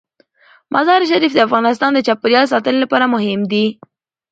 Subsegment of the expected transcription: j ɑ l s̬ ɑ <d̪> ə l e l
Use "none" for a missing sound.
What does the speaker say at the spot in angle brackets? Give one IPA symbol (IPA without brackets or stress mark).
t̪